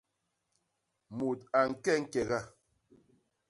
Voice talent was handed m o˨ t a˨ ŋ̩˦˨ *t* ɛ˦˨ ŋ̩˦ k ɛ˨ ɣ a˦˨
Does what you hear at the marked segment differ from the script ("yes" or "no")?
yes